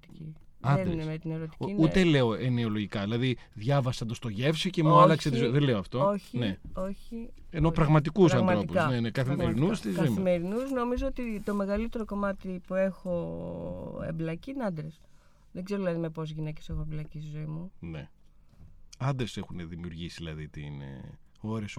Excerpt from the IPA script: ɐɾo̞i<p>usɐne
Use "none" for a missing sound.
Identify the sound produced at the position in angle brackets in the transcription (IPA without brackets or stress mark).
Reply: p